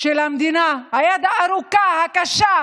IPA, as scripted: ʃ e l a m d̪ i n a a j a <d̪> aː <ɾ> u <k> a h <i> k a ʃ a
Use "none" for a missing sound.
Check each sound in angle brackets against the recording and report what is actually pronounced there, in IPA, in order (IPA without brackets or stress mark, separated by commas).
d̪, ɾ, k, a